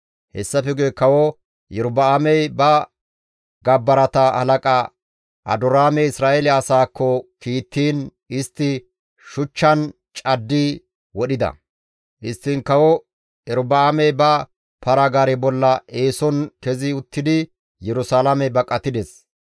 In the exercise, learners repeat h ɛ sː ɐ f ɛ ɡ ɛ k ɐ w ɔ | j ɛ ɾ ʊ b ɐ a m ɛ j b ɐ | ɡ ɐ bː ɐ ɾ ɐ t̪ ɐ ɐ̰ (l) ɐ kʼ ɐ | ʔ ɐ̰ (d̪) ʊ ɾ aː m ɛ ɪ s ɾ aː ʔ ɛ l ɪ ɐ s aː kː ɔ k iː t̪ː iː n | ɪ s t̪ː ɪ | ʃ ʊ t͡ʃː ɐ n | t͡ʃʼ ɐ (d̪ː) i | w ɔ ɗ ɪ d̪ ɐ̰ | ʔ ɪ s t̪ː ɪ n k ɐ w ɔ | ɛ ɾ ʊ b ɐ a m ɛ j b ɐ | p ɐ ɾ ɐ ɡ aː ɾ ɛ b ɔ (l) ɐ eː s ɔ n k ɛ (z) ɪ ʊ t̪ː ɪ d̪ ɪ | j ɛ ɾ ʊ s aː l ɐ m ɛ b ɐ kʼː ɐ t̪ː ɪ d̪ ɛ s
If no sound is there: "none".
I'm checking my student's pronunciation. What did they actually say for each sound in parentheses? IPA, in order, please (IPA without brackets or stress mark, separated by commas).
l, d̪, d̪ː, lː, z